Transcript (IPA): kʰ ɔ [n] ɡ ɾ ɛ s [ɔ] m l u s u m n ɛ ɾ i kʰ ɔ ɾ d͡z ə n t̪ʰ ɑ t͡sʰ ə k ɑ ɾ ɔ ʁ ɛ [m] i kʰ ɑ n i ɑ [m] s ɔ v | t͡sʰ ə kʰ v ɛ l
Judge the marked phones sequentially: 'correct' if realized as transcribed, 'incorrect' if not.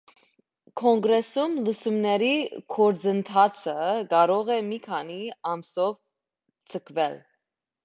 incorrect, incorrect, correct, correct

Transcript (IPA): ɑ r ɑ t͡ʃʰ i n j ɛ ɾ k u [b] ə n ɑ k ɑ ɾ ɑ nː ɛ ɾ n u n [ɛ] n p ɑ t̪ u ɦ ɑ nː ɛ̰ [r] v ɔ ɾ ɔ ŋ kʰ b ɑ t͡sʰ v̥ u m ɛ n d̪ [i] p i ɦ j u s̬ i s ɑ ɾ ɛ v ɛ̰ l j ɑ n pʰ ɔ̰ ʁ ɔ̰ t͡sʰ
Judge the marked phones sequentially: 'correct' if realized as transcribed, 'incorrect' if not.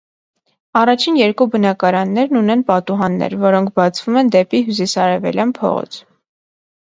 correct, correct, incorrect, incorrect

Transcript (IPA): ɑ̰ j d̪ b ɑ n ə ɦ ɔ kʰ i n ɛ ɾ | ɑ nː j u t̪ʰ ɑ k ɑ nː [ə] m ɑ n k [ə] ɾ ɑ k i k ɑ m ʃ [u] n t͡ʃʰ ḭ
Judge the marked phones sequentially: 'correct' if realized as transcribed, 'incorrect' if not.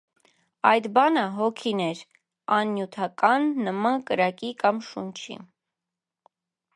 correct, correct, correct

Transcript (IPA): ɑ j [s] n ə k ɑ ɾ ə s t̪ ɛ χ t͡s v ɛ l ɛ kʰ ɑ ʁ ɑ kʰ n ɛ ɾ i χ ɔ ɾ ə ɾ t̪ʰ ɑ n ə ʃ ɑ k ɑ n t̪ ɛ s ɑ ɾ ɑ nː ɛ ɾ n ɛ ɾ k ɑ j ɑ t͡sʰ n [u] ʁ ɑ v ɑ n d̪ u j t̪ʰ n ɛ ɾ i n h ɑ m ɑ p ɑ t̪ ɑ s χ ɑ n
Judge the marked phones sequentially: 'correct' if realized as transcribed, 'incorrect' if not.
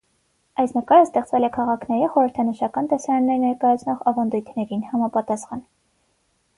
correct, incorrect

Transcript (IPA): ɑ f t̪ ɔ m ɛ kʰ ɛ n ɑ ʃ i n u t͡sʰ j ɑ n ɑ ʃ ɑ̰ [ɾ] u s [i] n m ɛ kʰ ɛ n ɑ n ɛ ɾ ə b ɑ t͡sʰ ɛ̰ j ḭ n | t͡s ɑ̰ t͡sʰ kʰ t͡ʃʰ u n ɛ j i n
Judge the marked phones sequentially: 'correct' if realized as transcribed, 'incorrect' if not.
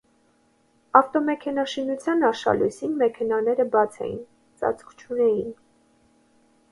incorrect, correct

